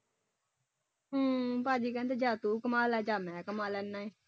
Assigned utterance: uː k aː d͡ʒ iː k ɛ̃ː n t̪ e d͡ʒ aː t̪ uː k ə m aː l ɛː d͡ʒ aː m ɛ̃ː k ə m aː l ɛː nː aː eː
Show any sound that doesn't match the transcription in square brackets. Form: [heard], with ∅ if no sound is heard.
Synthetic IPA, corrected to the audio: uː [p] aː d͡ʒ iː k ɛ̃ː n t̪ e d͡ʒ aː t̪ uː k ə m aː l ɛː d͡ʒ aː m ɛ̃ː k ə m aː l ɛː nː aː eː